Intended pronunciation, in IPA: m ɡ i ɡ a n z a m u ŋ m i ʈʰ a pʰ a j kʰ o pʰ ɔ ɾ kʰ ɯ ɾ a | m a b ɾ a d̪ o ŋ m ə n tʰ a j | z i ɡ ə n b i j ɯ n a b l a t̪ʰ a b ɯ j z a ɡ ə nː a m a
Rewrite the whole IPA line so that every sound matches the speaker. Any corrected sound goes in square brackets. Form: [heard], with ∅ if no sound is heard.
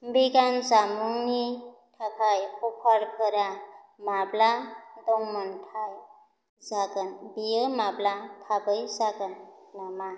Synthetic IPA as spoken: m [b] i ɡ a n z a m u ŋ [n] i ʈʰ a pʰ a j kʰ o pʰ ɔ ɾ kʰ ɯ ɾ a | m a b [l] a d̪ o ŋ m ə n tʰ a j | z [a] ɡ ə n b i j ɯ [m] a b l a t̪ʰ a b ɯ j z a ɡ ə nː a m a